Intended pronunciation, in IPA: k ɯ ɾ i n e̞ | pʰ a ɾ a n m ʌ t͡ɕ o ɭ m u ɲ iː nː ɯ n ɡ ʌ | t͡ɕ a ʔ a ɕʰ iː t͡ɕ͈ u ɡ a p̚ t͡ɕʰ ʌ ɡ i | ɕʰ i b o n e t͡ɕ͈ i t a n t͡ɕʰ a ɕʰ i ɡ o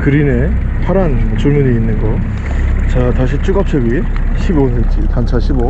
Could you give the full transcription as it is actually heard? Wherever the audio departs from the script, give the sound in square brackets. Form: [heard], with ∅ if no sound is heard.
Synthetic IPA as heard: k ɯ ɾ i n e̞ | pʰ a ɾ a n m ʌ t͡ɕ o ɭ m u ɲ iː nː ɯ n ɡ ʌ | t͡ɕ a [t] a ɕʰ [i] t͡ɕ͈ u ɡ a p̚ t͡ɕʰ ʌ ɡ i | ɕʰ i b o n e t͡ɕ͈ i t a n t͡ɕʰ a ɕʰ i [b] o